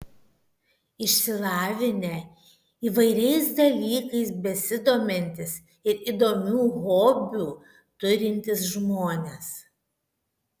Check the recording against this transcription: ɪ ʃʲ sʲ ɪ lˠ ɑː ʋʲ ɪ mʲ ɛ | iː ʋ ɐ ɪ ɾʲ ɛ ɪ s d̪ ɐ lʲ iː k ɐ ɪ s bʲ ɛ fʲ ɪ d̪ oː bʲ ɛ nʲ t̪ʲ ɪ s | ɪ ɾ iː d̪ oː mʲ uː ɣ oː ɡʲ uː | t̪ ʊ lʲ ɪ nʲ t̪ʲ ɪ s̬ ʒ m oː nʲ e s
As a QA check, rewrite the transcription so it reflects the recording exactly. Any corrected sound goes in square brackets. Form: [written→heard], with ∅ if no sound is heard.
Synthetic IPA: ɪ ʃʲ sʲ ɪ lˠ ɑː ʋʲ ɪ [mʲ→nʲ] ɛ | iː ʋ ɐ ɪ ɾʲ ɛ ɪ s d̪ ɐ lʲ iː k ɐ ɪ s bʲ ɛ [fʲ→sʲ] ɪ d̪ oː [bʲ→mʲ] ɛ nʲ t̪ʲ ɪ s | ɪ ɾ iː d̪ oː mʲ uː ɣ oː [ɡʲ→bʲ] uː | t̪ ʊ [lʲ→ɾʲ] ɪ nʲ t̪ʲ ɪ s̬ ʒ m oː nʲ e s

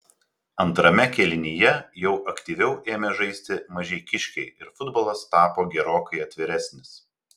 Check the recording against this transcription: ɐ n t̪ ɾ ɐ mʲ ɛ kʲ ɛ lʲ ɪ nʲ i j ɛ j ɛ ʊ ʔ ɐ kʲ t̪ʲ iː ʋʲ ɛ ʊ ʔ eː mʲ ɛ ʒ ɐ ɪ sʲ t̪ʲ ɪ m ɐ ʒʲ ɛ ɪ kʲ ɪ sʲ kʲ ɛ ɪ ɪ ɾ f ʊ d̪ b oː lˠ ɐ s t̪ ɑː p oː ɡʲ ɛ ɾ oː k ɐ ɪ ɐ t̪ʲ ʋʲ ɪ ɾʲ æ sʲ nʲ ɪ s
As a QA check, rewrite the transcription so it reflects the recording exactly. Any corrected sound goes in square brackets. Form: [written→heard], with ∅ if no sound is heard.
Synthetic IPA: ɐ n t̪ ɾ ɐ mʲ ɛ kʲ ɛ lʲ ɪ nʲ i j ɛ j ɛ ʊ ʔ ɐ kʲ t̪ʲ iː ʋʲ ɛ ʊ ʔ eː mʲ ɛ ʒ ɐ ɪ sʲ t̪ʲ ɪ m ɐ ʒʲ ɛ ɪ kʲ ɪ [sʲ→ʃʲ] kʲ ɛ ɪ ɪ ɾ f ʊ d̪ b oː lˠ ɐ s t̪ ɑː p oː ɡʲ ɛ ɾ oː k ɐ ɪ ɐ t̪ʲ ʋʲ ɪ ɾʲ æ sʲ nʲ ɪ s

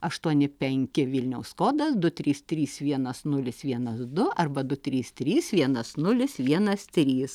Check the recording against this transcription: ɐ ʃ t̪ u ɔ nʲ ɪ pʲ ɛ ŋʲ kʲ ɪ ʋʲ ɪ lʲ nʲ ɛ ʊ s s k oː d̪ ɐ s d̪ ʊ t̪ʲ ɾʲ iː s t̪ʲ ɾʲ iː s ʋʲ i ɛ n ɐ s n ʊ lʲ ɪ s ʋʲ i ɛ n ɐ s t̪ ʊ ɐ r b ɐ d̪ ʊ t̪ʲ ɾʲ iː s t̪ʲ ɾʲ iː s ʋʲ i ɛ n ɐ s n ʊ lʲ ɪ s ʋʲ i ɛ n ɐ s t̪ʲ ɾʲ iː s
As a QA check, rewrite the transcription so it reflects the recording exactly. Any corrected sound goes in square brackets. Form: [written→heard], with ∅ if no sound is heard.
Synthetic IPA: ɐ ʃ t̪ u ɔ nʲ ɪ pʲ ɛ ŋʲ kʲ ɪ ʋʲ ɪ lʲ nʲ ɛ ʊ s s k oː d̪ ɐ s d̪ ʊ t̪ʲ ɾʲ iː s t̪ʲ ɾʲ iː s ʋʲ i ɛ n ɐ s n ʊ lʲ ɪ s ʋʲ i ɛ n ɐ s [t̪→d̪] ʊ ɐ r b ɐ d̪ ʊ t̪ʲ ɾʲ iː s t̪ʲ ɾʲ iː s ʋʲ i ɛ n ɐ s n ʊ lʲ ɪ s ʋʲ i ɛ n ɐ s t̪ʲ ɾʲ iː s

